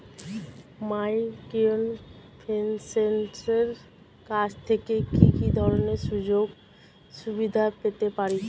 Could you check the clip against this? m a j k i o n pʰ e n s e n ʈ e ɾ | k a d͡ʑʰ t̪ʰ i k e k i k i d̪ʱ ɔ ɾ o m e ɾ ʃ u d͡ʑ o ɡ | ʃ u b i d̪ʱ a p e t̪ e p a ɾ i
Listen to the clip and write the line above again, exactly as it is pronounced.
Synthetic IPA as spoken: m a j k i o n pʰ e n s e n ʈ e ɾ | k a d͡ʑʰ t̪ʰ e k e k i k i d̪ʱ ɔ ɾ o n e ɾ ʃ u d͡ʑ o ɡ | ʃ u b i d̪ʱ a p e t̪ e p a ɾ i